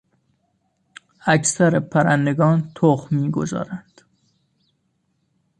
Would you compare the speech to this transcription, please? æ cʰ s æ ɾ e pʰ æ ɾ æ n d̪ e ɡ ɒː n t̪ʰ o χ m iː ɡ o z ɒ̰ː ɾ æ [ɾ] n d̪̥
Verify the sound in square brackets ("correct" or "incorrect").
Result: incorrect